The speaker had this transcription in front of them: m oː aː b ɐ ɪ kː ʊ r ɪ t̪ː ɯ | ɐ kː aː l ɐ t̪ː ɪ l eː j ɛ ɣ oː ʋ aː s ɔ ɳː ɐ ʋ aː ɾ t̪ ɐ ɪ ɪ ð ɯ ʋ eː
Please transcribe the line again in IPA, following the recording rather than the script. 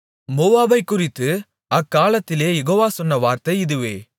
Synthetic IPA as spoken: m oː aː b ɐ ɪ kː ʊ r ɪ t̪ː ɯ | ɐ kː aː l ɐ t̪ː ɪ l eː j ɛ ɣ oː ʋ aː s ɔ nː ɐ ʋ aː ɾ t̪ ɐ ɪ ɪ ð ɯ ʋ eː

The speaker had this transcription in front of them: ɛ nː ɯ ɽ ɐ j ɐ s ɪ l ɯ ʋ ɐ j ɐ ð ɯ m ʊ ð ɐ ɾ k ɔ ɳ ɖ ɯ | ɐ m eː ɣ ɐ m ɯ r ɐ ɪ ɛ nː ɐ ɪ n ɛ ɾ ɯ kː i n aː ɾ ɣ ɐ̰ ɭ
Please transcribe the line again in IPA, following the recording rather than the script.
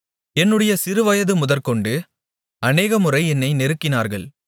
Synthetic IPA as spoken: ɛ nː ɯ ɽ ɐ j ɐ s ɪ ɾ ɯ ʋ ɐ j ɐ ð ɯ m ʊ ð ɐ ɾ k ɔ ɳ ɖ ɯ | ɐ n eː ɣ ɐ m ɯ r ɐ ɪ ɛ nː ɐ ɪ n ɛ ɾ ɯ kː ɪ n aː ɾ ɣ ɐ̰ ɭ

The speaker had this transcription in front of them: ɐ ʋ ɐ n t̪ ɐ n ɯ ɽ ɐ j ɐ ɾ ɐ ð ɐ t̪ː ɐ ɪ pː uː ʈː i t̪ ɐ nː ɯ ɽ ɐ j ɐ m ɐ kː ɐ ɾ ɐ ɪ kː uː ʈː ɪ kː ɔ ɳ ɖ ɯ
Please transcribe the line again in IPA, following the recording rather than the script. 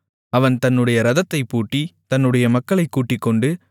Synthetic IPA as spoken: ɐ ʋ ɐ n t̪ ɐ nː ɯ ɽ ɐ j ɐ ɾ ɐ ð ɐ t̪ː ɐ ɪ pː uː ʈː i t̪ ɐ nː ɯ ɽ ɐ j ɐ m ɐ kː ɐ ɭ ɐ ɪ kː uː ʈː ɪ kː ɔ ɳ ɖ ɯ

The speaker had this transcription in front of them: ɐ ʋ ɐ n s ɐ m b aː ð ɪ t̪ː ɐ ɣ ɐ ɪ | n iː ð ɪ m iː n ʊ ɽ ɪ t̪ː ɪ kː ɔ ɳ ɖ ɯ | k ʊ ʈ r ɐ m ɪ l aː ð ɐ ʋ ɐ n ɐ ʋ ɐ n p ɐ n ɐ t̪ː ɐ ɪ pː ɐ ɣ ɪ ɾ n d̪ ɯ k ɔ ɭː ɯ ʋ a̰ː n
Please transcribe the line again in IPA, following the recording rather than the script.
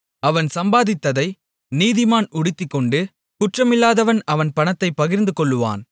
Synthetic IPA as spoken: ɐ ʋ ɐ n s ɐ m b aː ð ɪ t̪ː ɐ ð ɐ ɪ | n iː ð ɪ m aː n ʊ ɽ ɪ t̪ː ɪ kː ɔ ɳ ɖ ɯ | k ʊ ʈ r ɐ m ɪ lː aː ð ɐ ʋ ɐ n ɐ ʋ ɐ n p ɐ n ɐ t̪ː ɐ ɪ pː ɐ ɣ ɪ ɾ n d̪ ɯ k ɔ ɭː ɯ ʋ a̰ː n

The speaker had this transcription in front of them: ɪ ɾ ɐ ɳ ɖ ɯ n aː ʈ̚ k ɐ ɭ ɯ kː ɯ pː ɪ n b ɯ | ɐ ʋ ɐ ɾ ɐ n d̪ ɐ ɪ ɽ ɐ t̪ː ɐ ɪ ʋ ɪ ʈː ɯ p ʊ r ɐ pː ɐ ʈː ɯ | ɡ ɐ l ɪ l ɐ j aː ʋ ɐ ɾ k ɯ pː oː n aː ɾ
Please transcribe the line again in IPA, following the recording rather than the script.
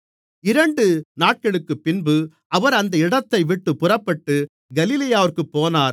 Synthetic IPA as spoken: ɪ ɾ ɐ ɳ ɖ ɯ n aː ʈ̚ k ɐ ɭ ɯ kː ɯ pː ɪ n b ɯ | ɐ ʋ ɐ ɾ ɐ n d̪ ɐ ɪ ɽ ɐ t̪ː ɐ ɪ ʋ ɪ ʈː ɯ p ʊ r ɐ pː ɐ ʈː ɯ | ɡ ɐ l ɪ l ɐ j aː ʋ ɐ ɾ k ɯ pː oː n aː ɾ

